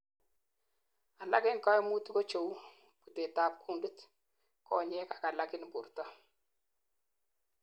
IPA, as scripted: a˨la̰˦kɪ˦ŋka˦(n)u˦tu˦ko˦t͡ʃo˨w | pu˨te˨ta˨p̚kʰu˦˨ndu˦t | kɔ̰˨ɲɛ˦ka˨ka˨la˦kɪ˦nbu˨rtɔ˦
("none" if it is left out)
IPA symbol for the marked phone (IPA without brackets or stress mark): m